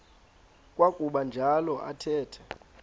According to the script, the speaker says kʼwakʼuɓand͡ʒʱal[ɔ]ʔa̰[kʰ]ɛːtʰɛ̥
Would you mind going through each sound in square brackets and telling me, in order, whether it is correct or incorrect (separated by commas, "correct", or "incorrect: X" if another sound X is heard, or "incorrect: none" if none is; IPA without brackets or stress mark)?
correct, incorrect: tʰ